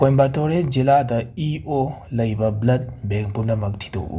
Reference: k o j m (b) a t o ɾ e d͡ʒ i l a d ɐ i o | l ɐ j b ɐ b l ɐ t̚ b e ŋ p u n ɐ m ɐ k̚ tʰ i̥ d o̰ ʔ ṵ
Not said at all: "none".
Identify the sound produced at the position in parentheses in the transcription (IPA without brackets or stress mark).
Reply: b